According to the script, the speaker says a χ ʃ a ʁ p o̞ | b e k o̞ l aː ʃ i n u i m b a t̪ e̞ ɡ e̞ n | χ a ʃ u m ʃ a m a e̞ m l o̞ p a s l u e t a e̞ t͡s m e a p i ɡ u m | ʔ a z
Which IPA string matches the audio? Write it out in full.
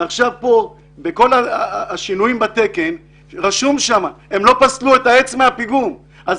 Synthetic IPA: a χ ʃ a v p o̞ | b e k o̞ l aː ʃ i n u i m b a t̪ e̞ k e̞ n | ʁ a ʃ u m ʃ a m a e̞ m l o̞ p a s l u e t a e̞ t͡s m e a p i ɡ u m | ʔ a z

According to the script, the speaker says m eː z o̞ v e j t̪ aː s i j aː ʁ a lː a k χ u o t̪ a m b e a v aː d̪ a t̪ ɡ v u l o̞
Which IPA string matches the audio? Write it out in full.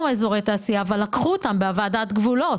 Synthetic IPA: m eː z o̞ ʁ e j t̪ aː s i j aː v a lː a k χ u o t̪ a m b e a v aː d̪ a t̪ ɡ v u l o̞

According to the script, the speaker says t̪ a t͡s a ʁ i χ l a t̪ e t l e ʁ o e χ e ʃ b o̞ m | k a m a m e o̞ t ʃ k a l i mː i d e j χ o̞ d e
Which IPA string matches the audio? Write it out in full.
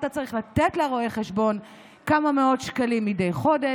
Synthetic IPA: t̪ a t͡s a ʁ i χ l a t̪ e t l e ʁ o e χ e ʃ b o̞ n | k a m a m e o̞ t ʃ k a l i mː i d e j χ o̞ d e

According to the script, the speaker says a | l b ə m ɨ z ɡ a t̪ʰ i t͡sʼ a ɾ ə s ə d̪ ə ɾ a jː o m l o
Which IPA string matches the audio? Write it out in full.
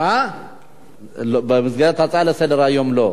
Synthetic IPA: a | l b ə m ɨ z ɡ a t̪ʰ a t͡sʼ a l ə s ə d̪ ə ɾ a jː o m l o

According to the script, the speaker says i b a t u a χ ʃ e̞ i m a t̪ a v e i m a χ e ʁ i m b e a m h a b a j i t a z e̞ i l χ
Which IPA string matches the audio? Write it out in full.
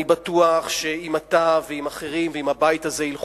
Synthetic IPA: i b a t u a χ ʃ e̞ i m a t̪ a v e i m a χ e ʁ i m v e i m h a b a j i t a z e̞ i l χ

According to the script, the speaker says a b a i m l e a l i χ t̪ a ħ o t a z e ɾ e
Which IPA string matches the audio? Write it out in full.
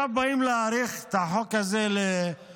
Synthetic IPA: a b a i m l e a ɾ i χ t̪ a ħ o k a z e l e

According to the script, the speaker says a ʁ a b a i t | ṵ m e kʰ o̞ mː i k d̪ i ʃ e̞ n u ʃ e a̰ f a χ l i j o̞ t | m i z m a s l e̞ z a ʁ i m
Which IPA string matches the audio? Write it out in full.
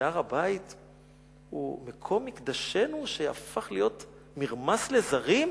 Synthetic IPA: a ʁ a b a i t | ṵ m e kʰ o̞ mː i k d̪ a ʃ e̞ n u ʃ e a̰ f a χ l i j o̞ t | m i ʁ m a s l e̞ z a ʁ i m

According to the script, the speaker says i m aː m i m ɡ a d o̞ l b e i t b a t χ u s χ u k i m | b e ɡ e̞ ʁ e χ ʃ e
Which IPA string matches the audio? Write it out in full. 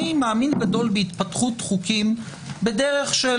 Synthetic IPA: i m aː m i n ɡ a d o̞ l b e i t p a t χ u t χ u k i m | b e d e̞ ʁ e χ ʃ e

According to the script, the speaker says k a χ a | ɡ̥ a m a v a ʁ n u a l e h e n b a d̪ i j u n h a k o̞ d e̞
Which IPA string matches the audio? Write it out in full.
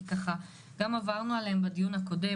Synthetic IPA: k a χ a | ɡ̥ a m a v a ʁ n u a l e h e m b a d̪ i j u n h a k o̞ d e̞

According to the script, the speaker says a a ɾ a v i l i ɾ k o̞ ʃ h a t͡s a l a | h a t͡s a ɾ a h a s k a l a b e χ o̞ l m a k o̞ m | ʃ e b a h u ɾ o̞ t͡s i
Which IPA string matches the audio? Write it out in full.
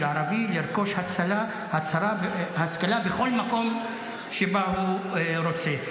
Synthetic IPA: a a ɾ a v i l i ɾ k o̞ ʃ h a t͡s a l a | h a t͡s a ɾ a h a s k a l a b e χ o̞ l m a k o̞ m | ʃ e b a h u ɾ o̞ t͡s e

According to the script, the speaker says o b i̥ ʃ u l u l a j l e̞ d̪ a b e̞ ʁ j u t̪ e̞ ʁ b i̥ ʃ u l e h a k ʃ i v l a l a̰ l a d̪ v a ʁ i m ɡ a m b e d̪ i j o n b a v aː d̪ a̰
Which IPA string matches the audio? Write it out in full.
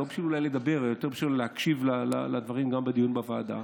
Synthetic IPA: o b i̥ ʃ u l u l a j l e̞ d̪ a b e̞ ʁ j o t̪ e̞ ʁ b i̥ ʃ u l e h a k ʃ i v l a l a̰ l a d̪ v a ʁ i m ɡ a m b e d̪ i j u n b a v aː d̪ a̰

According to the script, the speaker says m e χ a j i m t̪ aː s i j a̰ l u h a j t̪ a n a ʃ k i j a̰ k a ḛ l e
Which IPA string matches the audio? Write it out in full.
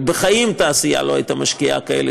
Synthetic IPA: b e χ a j i m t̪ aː s i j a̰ l o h a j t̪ a m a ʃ k i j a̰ k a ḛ l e

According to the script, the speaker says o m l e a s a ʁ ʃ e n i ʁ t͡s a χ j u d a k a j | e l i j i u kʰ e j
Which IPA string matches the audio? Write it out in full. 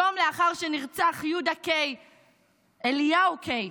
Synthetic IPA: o m l e a χ a ʁ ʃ e n i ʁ t͡s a χ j u d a k e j | e l i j a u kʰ e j

